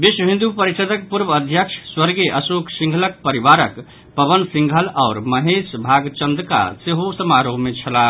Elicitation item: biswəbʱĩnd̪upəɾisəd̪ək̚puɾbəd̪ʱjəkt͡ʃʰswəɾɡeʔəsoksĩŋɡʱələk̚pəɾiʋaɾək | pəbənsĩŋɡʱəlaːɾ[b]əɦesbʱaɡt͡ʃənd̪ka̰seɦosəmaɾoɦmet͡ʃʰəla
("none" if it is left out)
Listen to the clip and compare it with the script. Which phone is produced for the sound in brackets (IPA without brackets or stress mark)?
m